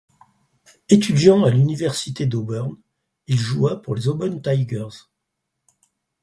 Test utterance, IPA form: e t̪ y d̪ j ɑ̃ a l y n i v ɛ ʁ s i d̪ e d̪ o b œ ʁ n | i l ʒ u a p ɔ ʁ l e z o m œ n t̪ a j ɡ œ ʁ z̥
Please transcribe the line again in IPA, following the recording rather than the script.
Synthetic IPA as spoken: e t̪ y d̪ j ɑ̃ a l y n i v ɛ ʁ s i t̪ e d̪ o b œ ʁ n | i l ʒ u a p u ʁ l e z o b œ n t̪ a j ɡ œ ʁ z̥

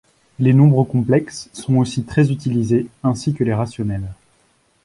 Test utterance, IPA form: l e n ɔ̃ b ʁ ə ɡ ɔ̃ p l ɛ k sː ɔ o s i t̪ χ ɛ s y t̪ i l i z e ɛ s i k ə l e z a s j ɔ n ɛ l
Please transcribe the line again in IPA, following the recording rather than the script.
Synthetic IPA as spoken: l e n ɔ̃ b ʁ ə k ɔ̃ p l ɛ k sː ɔ̃ o s i t̪ χ ɛ z y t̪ i l i z e ɛ̃ s i k ə l e ʁ a s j ɔ n ɛ l

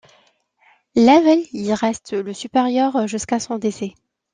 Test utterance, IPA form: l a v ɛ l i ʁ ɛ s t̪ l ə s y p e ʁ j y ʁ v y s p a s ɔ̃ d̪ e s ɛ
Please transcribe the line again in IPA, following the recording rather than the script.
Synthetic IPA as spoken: l a v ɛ l i ʁ ɛ s t̪ l ə s y p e ʁ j œ ʁ ʒ y s k a s ɔ̃ d̪ e s ɛ

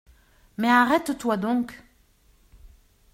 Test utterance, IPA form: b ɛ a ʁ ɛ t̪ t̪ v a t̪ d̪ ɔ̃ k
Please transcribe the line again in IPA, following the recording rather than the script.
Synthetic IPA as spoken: m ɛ a ʁ ɛ t̪ t̪ w a d̪ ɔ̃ k

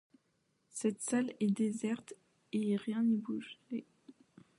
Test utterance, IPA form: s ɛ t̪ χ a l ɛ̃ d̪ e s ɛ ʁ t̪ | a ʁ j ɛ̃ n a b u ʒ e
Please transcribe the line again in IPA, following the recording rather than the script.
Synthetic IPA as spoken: s ɛ t̪ s a l ɛ d̪ e z ɛ ʁ t̪ | e ʁ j ɛ̃ n i b u ʒ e

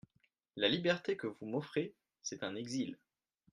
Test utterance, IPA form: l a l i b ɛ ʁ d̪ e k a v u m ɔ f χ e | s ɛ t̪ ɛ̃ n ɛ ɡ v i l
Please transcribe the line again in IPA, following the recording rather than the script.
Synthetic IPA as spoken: l a l i b ɛ ʁ t̪ e k ə v u m ɔ f χ e | s ɛ t̪ ɛ̃ n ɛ ɡ z i l

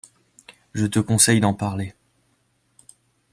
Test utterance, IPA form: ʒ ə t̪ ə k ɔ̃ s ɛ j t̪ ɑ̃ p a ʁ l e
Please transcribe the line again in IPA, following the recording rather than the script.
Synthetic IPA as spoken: ʒ ə t̪ ə k ɔ̃ s ɛ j d̪ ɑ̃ p a ʁ l e

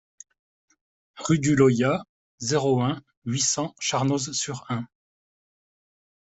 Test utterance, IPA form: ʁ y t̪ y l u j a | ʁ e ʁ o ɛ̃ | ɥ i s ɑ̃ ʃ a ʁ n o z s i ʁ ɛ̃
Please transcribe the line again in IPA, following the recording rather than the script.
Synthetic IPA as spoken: ʁ y d̪ y l ɔ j a | z e ʁ o ɛ̃ | ɥ i s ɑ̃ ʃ a ʁ n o z s y ʁ ɛ̃

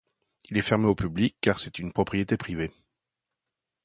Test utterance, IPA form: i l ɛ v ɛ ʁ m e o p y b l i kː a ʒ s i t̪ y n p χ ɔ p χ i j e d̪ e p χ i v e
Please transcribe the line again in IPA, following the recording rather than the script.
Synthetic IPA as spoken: i l ɛ f ɛ ʁ m e o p y b l i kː a ʁ s ɛ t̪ y n p χ ɔ p χ i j e t̪ e p χ i v e

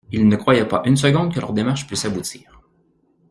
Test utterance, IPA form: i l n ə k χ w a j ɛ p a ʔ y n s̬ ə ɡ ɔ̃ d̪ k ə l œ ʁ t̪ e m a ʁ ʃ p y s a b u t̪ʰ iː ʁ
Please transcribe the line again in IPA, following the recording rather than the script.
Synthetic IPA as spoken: i l n ə k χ w a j ɛ p a ʔ y n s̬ ə ɡ ɔ̃ d̪ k ə l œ ʁ d̪ e m a ʁ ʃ p y s a b u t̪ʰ iː ʁ

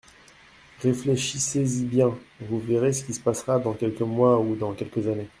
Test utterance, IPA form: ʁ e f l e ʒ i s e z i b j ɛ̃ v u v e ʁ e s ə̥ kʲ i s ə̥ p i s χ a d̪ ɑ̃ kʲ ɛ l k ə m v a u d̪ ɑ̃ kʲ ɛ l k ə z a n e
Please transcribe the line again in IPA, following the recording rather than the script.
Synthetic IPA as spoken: ʁ e f l e ʃ i s e z i b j ɛ̃ v u v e ʁ e s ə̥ kʲ i s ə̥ p a s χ a d̪ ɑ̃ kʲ ɛ l k ə m w a u d̪ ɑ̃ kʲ ɛ l k ə z a n e

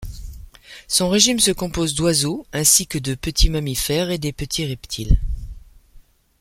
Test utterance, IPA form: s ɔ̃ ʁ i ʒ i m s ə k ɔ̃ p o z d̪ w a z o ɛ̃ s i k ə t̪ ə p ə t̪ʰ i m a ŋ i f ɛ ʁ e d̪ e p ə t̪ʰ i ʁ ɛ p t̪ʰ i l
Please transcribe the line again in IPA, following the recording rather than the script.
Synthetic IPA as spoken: s ɔ̃ ʁ e ʒ i m s ə k ɔ̃ p o z d̪ w a z o ɛ̃ s i k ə d̪ ə p ə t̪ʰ i m a m i f ɛ ʁ e d̪ e p ə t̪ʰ i ʁ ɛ p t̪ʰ i l

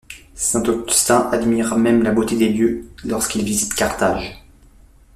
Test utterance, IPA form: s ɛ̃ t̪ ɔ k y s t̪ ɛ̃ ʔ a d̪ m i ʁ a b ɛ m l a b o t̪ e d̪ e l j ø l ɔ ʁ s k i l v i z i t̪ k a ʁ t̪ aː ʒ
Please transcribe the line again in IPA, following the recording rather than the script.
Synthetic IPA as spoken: s ɛ̃ t̪ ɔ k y s t̪ ɛ̃ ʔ a d̪ m i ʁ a m ɛ m l a b o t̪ e d̪ e l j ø l ɔ ʁ s k i l v i z i t̪ k a ʁ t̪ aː ʒ

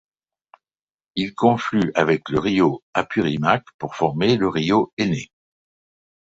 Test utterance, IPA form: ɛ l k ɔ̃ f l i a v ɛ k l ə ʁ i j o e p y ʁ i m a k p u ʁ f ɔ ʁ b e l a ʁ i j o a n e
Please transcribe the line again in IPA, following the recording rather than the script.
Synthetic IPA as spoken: i l k ɔ̃ f l y a v ɛ k l ə ʁ i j o a p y ʁ i m a k p u ʁ f ɔ ʁ m e l ə ʁ i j o e n e

